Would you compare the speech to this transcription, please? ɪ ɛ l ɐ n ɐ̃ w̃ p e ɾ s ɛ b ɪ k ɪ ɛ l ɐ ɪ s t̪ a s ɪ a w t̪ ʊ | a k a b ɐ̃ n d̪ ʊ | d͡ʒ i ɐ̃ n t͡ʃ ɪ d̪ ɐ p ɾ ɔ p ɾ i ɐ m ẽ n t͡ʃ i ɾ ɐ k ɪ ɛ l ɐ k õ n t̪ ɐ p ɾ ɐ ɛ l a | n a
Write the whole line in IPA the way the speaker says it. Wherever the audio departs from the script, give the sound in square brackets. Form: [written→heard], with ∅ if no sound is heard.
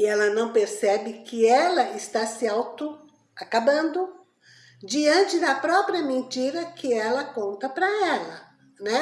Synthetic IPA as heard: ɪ ɛ l ɐ n ɐ̃ w̃ p e ɾ s ɛ b ɪ k ɪ ɛ l ɐ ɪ s t̪ a s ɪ a w t̪ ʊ | a k a b ɐ̃ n d̪ ʊ | d͡ʒ i ɐ̃ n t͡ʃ ɪ d̪ ɐ p ɾ ɔ p ɾ i ɐ m ẽ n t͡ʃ i ɾ ɐ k ɪ ɛ l ɐ k õ n t̪ ɐ p ɾ ɐ ɛ l [a→ɐ] | n [a→ɛ]